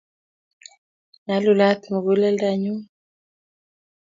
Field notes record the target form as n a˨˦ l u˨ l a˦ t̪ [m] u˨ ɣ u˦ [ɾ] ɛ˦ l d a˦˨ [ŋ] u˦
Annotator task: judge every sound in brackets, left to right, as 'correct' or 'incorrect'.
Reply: correct, incorrect: l, incorrect: ɲ

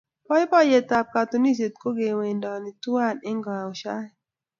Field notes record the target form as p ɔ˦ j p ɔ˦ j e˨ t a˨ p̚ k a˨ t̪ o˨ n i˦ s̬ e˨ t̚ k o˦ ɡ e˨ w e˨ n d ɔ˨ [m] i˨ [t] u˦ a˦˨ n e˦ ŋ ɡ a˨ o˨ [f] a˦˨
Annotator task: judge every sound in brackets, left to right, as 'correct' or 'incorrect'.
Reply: incorrect: n, correct, incorrect: ʃ

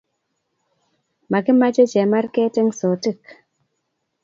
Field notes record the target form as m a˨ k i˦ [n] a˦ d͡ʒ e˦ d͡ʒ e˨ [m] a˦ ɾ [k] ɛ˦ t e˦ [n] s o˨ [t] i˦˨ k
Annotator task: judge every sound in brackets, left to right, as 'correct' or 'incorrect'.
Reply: incorrect: m, correct, correct, incorrect: ŋ, correct

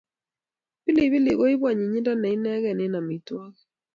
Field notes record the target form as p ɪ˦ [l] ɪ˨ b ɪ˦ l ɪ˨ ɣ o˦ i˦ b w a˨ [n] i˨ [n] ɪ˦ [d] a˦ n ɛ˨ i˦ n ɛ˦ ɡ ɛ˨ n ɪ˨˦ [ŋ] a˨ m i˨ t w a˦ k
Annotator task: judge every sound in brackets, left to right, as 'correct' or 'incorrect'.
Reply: correct, incorrect: ɲ, incorrect: ɲ, correct, incorrect: n

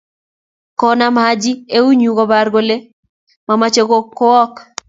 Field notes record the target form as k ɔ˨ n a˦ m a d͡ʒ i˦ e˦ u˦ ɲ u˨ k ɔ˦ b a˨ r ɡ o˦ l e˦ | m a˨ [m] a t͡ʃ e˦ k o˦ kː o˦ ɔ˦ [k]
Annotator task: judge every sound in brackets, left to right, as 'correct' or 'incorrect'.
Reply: correct, correct

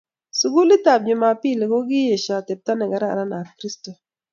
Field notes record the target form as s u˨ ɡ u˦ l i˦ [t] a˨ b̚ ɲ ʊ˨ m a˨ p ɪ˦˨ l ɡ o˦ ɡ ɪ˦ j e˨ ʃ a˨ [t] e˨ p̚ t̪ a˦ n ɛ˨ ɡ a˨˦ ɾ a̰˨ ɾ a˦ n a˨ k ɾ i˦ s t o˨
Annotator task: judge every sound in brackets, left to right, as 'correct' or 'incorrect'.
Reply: correct, correct

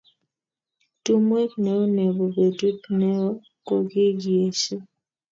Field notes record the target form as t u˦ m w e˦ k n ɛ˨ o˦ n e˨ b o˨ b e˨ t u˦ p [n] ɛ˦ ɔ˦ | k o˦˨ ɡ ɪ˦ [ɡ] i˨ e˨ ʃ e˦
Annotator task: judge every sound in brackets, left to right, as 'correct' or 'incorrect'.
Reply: correct, correct

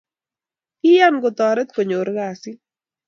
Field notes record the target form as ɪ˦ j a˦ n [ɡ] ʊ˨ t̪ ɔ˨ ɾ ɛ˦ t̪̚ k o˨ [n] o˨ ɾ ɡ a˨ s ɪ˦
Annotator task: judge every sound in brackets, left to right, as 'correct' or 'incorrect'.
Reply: correct, incorrect: ɲ

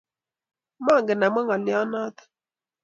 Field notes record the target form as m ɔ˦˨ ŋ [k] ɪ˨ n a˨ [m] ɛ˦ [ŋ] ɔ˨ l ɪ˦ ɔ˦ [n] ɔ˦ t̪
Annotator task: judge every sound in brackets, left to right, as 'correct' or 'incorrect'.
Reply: incorrect: ɡ, correct, correct, correct

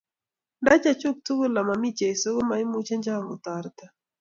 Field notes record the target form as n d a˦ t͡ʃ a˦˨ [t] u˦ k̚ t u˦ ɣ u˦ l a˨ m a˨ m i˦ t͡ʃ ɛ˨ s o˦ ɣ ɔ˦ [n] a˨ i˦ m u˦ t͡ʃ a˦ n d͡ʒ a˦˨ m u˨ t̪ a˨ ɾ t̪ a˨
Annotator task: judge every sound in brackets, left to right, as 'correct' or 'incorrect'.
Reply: incorrect: t͡ʃ, incorrect: m

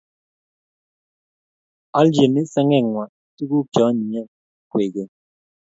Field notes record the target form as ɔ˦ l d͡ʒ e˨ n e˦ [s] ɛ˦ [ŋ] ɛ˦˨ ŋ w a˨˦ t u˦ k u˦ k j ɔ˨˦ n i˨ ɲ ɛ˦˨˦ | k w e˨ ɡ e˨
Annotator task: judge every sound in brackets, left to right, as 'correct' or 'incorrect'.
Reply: correct, correct

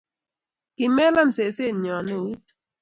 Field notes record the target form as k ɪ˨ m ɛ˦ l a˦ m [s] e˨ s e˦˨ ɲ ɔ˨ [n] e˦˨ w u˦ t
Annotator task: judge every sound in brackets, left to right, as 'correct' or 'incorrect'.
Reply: correct, correct

